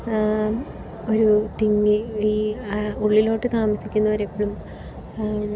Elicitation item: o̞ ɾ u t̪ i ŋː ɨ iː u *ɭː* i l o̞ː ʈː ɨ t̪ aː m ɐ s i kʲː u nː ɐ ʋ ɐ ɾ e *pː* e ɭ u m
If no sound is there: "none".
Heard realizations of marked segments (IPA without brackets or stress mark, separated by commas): ɭː, pː